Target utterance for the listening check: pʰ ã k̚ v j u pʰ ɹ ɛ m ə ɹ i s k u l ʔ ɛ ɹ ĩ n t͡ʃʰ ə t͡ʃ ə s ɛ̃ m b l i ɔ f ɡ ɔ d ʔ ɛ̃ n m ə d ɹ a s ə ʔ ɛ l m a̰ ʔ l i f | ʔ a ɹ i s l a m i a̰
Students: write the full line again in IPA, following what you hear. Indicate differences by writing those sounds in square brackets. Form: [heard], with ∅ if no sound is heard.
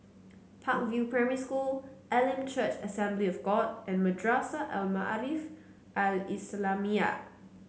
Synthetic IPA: pʰ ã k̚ v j u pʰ ɹ ɛ m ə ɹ i s k u l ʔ ɛ [l] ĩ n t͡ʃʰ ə t͡ʃ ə s ɛ̃ m b l i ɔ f ɡ ɔ d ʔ ɛ̃ n m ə d ɹ a s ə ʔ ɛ l m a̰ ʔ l i f | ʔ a [l] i s l a m i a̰